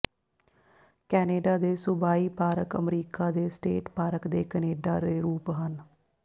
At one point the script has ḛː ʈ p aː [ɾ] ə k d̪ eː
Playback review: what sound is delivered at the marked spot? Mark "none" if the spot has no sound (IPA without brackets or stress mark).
ɾ